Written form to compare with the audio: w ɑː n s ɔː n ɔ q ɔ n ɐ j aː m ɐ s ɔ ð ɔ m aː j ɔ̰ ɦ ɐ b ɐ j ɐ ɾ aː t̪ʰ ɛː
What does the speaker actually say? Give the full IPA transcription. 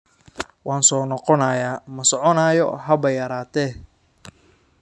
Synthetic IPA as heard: w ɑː n s ɔː n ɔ q ɔ n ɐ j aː m ɐ s ɔ ʕ ɔ n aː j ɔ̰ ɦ ɐ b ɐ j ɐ ɾ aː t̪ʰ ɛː

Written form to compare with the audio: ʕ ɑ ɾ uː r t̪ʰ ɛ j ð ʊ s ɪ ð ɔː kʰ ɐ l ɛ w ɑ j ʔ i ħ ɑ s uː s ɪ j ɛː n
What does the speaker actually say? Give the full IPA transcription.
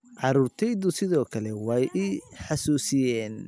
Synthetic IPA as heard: ʕ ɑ ɾ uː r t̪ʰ ɛ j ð ʊ s ɪ ð ɔː kʰ ɐ l ɛ w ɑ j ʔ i ħ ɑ s uː s ɪ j ɛː n

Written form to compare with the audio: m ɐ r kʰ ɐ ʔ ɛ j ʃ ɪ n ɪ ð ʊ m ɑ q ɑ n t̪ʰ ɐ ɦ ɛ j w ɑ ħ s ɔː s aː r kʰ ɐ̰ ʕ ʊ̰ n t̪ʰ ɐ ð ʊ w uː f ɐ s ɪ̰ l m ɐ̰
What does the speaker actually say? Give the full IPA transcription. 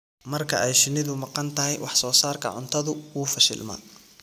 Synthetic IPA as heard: m ɐ r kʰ ɐ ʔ ɛ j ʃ ɪ n ɪ ð ʊ m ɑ q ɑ n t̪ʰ ɐ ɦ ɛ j w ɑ ħ s ɔː s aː r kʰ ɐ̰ ʕ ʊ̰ n t̪ʰ ɐ ð ʊ w uː f ɐ ʃ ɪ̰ l m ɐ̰

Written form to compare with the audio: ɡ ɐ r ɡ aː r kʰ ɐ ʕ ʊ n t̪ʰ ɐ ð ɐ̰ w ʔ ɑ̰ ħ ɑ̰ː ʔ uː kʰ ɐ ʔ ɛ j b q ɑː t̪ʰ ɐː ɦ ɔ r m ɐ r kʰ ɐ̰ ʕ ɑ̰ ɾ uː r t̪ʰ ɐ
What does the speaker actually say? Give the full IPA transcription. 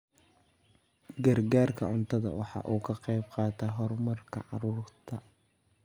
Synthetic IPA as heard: ɡ ɐ r ɡ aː r kʰ ɐ ʕ ʊ n t̪ʰ ɐ ð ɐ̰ w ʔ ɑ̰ ħ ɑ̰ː ʔ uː kʰ ɐ q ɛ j b q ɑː t̪ʰ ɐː ɦ ɔ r m ɐ r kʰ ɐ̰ ʕ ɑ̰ ɾ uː r t̪ʰ ɐ

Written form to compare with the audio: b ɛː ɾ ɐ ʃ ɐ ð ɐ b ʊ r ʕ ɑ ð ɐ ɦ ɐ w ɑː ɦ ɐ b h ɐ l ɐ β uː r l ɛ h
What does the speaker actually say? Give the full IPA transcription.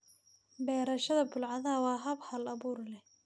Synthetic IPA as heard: b ɛː ɾ ɐ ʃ ɐ ð ɐ b ʊ l ʕ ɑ ð ɐ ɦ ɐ w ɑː ɦ ɐ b h ɐ l ɐ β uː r l ɛ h

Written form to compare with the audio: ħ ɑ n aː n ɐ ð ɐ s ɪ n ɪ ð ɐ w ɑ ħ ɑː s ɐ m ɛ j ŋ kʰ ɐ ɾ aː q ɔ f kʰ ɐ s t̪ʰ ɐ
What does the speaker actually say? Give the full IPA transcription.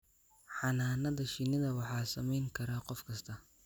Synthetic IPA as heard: ħ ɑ n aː n ɐ ð ɐ ʃ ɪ n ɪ ð ɐ w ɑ ħ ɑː s ɐ m ɛ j ŋ kʰ ɐ ɾ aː q ɔ f kʰ ɐ s t̪ʰ ɐ

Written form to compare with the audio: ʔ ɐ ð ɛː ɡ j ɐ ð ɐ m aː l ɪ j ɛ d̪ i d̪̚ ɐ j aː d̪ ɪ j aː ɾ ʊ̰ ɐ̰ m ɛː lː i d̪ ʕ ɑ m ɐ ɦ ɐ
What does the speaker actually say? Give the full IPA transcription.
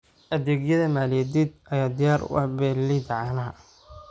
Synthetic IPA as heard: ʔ ɐ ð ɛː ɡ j ɐ ð ɐ m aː l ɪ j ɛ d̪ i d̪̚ ɐ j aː d̪ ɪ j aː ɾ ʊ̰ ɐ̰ b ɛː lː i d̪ ʕ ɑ n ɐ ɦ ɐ

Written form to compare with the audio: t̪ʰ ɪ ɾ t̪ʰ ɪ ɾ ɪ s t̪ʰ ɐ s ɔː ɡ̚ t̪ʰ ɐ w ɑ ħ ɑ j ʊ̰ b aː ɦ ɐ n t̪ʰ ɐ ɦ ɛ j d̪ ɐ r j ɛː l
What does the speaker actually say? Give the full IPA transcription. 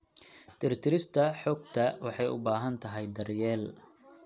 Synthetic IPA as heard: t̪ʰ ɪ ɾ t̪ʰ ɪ ɾ ɪ s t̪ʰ ɐ ħ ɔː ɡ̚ t̪ʰ ɐ w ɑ ħ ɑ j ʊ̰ b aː ɦ ɐ n t̪ʰ ɐ ɦ ɛ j d̪ ɐ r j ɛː l

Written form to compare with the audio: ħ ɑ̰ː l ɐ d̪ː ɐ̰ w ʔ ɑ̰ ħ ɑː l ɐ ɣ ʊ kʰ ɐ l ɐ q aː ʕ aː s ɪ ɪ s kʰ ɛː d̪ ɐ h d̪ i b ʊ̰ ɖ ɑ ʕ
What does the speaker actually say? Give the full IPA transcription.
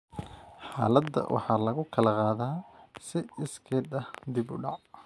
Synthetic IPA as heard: ħ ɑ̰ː l ɐ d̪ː ɐ̰ w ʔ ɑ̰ ħ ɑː l ɐ ɣ ʊ kʰ ɐ l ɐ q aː ð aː s ɪ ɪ s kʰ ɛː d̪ ɐ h d̪ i b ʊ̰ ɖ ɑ ʕ

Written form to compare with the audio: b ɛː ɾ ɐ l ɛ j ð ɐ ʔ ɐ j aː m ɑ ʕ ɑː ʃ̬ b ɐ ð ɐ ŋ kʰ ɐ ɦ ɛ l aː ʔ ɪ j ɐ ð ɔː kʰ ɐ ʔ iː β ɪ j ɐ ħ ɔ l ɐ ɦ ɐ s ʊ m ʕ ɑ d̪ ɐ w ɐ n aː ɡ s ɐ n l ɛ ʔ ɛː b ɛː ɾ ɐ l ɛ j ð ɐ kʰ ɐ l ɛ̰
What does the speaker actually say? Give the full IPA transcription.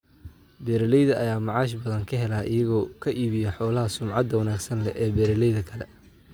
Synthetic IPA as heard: b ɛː ɾ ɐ l ɛ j ð ɐ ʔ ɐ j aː m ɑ ʕ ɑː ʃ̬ b ɐ ð ɐ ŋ kʰ ɐ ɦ ɛ l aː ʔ ɪ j ɐ ɣ ɔː kʰ ɐ ʔ iː β ɪ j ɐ ħ ɔː l ɐ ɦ ɐ s ʊ m ʕ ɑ d̪ ɐ w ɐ n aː ɡ s ɐ n l ɛ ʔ ɛː b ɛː ɾ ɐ l ɛ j ð ɐ kʰ ɐ l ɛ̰

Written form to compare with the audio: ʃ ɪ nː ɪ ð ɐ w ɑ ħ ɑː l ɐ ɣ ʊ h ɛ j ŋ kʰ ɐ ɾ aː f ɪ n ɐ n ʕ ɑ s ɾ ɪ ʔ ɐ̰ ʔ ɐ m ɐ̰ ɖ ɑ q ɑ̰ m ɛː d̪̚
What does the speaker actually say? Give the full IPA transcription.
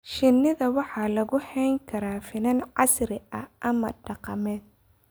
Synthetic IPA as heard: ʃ ɪ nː ɪ ð ɐ w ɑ ħ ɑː l ɐ ɣ ʊ h ɛ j ŋ kʰ ɐ ɾ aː f ɪ n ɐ n ʕ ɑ s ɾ ɪ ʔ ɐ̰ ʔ ɐ m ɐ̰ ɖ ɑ q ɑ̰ m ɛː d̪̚

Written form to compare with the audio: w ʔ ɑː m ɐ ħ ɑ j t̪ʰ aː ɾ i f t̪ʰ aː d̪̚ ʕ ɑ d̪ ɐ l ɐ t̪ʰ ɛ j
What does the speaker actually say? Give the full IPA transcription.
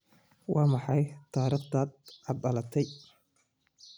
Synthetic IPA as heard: w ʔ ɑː m ɑ ħ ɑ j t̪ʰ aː ɾ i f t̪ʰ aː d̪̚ ʕ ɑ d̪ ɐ l ɐ t̪ʰ ɛ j

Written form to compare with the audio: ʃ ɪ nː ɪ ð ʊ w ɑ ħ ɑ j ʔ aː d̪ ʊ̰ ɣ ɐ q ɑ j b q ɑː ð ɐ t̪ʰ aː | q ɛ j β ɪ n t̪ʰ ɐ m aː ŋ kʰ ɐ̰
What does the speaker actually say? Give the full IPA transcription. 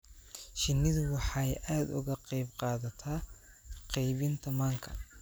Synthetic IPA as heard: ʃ ɪ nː ɪ ð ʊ w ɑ ħ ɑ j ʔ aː d̪ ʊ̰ ɣ ɐ q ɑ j b q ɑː ð ɐ t̪ʰ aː | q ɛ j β ɪ n t̪ʰ ɐ m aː ŋ kʰ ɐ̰

